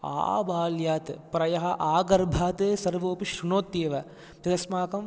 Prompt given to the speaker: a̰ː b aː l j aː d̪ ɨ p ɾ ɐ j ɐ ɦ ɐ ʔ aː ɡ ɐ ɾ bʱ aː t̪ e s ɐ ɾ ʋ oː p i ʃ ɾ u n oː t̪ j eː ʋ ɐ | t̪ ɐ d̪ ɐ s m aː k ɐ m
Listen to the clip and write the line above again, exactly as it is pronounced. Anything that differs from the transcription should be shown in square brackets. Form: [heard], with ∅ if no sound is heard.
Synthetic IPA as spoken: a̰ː b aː l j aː [t̪] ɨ p ɾ ɐ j ɐ ɦ ɐ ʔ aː ɡ ɐ ɾ bʱ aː t̪ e s ɐ ɾ ʋ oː p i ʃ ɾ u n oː t̪ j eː ʋ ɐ | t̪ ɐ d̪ ɐ s m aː k ɐ m